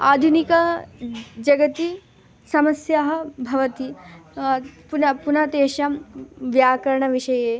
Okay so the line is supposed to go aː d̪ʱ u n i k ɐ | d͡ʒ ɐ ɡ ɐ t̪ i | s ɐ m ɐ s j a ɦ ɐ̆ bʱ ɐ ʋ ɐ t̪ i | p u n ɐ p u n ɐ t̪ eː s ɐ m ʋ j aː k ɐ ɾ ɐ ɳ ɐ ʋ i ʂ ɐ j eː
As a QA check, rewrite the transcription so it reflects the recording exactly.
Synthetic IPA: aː d̪ʱ u n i k ɐ | d͡ʒ ɐ ɡ ɐ t̪ i | s ɐ m ɐ s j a ɦ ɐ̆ bʱ ɐ ʋ ɐ t̪ i | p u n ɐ p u n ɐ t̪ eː ʃ ɐ m ʋ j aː k ɐ ɾ ɐ ɳ ɐ ʋ i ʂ ɐ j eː

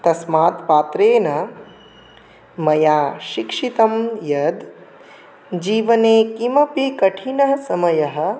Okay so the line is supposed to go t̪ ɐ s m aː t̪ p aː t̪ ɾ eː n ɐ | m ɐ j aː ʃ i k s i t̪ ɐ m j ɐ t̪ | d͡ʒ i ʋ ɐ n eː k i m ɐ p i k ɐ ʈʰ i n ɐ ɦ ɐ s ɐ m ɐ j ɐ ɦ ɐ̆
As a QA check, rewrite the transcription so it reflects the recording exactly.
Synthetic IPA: t̪ ɐ s m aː t̪ p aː t̪ ɾ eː n ɐ | m ɐ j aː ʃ i k ʂ i t̪ ɐ m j ɐ d̪ | d͡ʒ iː ʋ ɐ n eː k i m ɐ p i k ɐ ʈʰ i n ɐ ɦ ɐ s ɐ m ɐ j ɐ ɦ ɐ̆

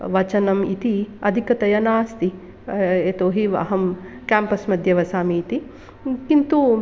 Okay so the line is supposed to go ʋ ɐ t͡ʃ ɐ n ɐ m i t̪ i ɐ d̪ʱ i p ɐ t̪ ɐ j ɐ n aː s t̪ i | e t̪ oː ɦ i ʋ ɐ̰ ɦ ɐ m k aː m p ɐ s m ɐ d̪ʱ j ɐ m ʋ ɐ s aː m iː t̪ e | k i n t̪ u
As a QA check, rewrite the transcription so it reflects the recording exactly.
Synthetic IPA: ʋ ɐ t͡ʃ ɐ n ɐ m i t̪ i ɐ d̪ʱ i k ɐ t̪ ɐ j ɐ n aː s t̪ i | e t̪ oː ɦ i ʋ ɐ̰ ɦ ɐ m k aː m p ɐ s m ɐ d̪ʱ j ɐ ʋ ɐ s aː m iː t̪ i | k i n t̪ u

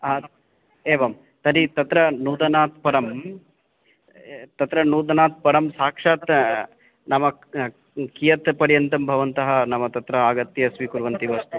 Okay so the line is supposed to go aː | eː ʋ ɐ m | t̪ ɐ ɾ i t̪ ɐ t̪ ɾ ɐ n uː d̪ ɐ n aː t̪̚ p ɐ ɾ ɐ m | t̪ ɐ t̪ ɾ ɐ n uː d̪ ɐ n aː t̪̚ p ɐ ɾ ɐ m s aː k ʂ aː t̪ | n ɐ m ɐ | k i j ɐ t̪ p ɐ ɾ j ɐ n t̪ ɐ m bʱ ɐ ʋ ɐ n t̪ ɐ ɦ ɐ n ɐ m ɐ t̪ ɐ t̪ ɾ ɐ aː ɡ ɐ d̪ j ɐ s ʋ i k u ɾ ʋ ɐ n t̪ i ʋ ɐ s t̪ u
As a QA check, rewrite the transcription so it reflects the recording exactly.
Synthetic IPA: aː | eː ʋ ɐ m | t̪ ɐ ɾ i t̪ ɐ t̪ ɾ ɐ n uː d̪ ɐ n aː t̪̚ p ɐ ɾ ɐ m | t̪ ɐ t̪ ɾ ɐ n uː d̪ ɐ n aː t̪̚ p ɐ ɾ ɐ m s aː k ʂ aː t̪ | n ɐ m ɐ | k i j ɐ t̪ p ɐ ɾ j ɐ n t̪ ɐ m bʱ ɐ ʋ ɐ n t̪ ɐ ɦ ɐ n ɐ m ɐ t̪ ɐ t̪ ɾ ɐ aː ɡ ɐ t̪ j ɐ s ʋ i k u ɾ ʋ ɐ n t̪ i ʋ ɐ s t̪ u

